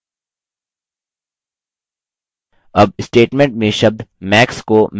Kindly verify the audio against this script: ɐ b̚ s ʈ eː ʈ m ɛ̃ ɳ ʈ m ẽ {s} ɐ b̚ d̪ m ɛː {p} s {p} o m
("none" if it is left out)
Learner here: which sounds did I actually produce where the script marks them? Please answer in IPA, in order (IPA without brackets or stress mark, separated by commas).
ʃ, k, k